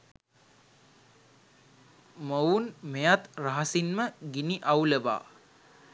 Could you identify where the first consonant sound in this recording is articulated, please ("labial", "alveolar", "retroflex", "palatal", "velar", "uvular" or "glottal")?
labial